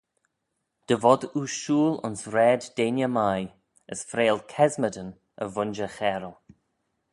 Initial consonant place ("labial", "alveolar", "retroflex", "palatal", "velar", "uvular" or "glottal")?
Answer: alveolar